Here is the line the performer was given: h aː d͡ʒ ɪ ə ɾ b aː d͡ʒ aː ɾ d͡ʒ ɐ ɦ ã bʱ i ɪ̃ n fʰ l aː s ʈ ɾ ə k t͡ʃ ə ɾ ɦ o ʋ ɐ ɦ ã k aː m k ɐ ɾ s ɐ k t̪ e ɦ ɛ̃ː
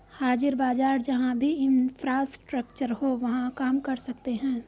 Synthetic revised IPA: h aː d͡ʒ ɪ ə ɾ b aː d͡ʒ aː ɾ d͡ʒ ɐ ɦ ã bʱ i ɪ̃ n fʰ ɾ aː s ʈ ɾ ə k t͡ʃ ə ɾ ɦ o ʋ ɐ ɦ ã k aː m k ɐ ɾ s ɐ k t̪ e ɦ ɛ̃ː